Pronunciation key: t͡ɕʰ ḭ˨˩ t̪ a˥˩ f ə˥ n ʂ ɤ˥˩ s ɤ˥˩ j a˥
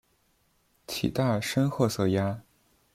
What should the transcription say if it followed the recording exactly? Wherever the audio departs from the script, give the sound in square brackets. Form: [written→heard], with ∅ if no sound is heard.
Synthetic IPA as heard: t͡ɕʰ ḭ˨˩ t̪ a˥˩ [f→ʂ] ə˥ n [ʂ→x] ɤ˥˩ s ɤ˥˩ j a˥